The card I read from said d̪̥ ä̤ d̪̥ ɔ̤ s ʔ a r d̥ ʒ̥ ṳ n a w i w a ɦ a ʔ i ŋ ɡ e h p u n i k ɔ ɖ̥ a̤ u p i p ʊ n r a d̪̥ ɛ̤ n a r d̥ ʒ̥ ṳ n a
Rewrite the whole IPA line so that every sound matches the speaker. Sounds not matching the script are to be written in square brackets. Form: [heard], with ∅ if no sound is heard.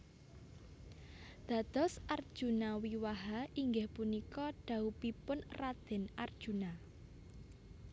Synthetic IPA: d̪̥ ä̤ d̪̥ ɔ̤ s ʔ a r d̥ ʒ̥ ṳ n a w i w a ɦ a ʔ i ŋ ɡ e h p u n i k ɔ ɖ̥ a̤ u p i p ʊ n r a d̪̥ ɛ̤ n a r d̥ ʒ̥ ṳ n a

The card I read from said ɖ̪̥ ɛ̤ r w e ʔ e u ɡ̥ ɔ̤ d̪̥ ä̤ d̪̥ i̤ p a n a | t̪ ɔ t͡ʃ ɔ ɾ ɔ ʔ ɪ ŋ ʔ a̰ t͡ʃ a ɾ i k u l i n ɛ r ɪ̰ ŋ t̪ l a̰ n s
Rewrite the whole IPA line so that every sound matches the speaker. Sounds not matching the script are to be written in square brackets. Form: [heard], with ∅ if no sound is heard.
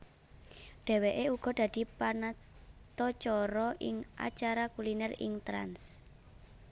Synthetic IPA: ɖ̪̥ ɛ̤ [∅] w e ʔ e u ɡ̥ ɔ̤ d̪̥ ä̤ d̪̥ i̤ p a n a | t̪ ɔ t͡ʃ ɔ ɾ ɔ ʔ ɪ ŋ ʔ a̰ t͡ʃ a ɾ [a] k u l i n ɛ r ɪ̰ ŋ t̪ [ɾ] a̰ n s

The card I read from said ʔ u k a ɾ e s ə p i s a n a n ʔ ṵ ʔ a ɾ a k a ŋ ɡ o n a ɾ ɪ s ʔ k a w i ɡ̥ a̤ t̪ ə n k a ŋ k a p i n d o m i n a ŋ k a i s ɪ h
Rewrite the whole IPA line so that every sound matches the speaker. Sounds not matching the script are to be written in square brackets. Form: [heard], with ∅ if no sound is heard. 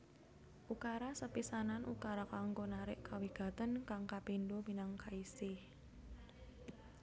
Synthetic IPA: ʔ u k a ɾ [a] s ə p i s a n a n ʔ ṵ [k] a ɾ a k a ŋ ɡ o n a ɾ ɪ [∅] ʔ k a w i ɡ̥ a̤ t̪ ə n k a ŋ k a p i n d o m i n a ŋ k a i s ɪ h

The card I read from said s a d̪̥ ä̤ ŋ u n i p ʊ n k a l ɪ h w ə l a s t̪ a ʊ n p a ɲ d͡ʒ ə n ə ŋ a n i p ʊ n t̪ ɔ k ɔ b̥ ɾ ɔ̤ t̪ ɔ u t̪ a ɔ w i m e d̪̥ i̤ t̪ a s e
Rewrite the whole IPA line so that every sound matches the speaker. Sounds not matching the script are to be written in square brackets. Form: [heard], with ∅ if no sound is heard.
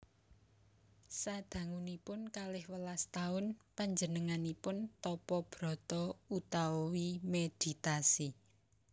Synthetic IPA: s a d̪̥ ä̤ ŋ u n i p ʊ n k a l ɪ h w ə l a s t̪ a ʊ n p a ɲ d͡ʒ ə n ə ŋ a n i p ʊ n t̪ ɔ [p] ɔ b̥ ɾ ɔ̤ t̪ ɔ u t̪ a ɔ w i m e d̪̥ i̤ t̪ a s [i]

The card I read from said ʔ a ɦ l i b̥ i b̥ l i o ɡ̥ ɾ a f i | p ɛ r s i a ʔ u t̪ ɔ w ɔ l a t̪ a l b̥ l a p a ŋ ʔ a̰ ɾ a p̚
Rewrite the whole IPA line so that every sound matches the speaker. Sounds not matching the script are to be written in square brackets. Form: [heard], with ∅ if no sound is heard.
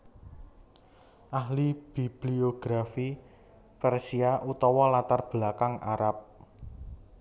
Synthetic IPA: ʔ a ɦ l i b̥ i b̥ l i o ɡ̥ ɾ a f i | p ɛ r s i a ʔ u t̪ ɔ w ɔ l a t̪ a [r] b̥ l a [k] a ŋ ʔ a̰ ɾ a p̚

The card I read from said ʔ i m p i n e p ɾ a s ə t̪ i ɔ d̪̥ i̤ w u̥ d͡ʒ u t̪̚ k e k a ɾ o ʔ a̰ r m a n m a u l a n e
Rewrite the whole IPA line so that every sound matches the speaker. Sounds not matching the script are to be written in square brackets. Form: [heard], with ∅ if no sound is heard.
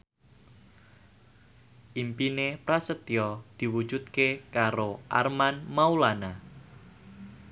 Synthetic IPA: ʔ i m p i n e p ɾ a s ə t̪ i ɔ d̪̥ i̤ w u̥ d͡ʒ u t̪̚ k e k a ɾ o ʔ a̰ r m a n m a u l a n [a]

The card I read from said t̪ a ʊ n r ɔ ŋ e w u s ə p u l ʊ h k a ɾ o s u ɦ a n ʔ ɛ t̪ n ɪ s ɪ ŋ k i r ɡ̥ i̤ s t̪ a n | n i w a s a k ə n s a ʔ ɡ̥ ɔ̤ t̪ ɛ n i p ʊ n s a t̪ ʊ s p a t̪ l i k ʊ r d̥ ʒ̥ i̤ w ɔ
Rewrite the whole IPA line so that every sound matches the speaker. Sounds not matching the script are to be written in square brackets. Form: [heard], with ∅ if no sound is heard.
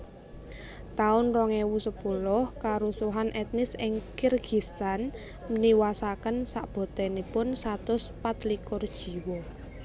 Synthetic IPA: t̪ a ʊ n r ɔ ŋ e w u s ə p u l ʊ h k a ɾ [u] s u ɦ a n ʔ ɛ t̪ n ɪ s ɪ ŋ k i r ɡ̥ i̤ s t̪ a n | n i w a s a k ə n s a ʔ [b̥] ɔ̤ t̪ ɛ n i p ʊ n s a t̪ ʊ s p a t̪ l i k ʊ r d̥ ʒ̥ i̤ w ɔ

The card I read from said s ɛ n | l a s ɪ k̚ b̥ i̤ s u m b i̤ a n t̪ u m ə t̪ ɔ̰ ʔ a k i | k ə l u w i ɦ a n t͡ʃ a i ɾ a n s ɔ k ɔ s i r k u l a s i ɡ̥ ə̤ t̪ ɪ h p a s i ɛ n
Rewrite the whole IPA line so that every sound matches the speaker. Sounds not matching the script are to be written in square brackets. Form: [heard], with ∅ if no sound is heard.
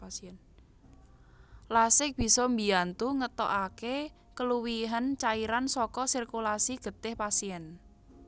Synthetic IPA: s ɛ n | l a s ɪ k̚ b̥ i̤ s [ɔ] m b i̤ a n t̪ u [ŋ] ə t̪ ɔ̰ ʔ a k [e] | k ə l u w i ɦ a n t͡ʃ a i ɾ a n s ɔ k ɔ s i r k u l a s i ɡ̥ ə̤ t̪ ɪ h p a s i ɛ n

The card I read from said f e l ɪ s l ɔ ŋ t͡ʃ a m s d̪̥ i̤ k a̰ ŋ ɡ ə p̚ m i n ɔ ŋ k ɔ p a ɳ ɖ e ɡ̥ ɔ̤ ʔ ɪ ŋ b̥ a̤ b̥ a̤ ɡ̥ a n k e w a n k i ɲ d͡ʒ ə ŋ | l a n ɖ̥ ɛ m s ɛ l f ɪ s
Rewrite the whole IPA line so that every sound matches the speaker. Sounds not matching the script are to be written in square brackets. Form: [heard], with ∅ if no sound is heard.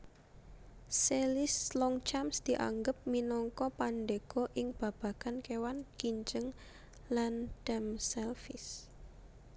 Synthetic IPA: [s] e l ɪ s l ɔ ŋ t͡ʃ a m s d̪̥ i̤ [ʔ] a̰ ŋ ɡ ə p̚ m i n ɔ ŋ k ɔ p a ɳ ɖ e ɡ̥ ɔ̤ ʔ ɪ ŋ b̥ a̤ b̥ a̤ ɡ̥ a n k e w a n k i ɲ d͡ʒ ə ŋ | l a n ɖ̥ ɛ m s ɛ l f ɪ s

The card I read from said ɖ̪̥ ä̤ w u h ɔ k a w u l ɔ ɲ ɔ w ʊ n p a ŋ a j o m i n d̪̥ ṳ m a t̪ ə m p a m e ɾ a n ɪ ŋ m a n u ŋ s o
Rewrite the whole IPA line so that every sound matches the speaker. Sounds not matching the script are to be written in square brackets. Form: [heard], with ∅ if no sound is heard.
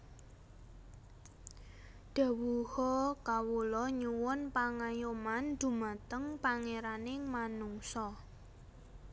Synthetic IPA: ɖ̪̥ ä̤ w u h ɔ k a w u l ɔ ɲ [u] w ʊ n p a ŋ a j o m [a] n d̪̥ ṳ m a t̪ ə [ŋ] p a [ŋ] e ɾ a n ɪ ŋ m a n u ŋ s [ɔ]

